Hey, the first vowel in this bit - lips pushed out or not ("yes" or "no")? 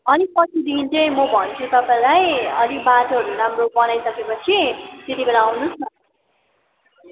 no